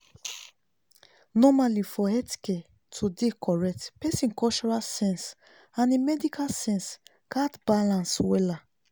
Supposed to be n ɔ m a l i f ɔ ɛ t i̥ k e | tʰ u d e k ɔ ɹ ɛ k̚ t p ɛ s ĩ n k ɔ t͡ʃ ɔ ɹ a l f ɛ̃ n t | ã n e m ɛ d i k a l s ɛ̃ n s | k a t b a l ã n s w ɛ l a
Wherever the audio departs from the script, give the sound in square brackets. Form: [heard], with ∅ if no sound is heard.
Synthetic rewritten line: n ɔ m a l i f ɔ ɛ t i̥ k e | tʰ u d e k ɔ ɹ ɛ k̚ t p ɛ s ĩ n k ɔ t͡ʃ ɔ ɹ a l [s] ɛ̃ n [s] | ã n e m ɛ d i k a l s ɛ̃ n s | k a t b a l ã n s w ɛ l a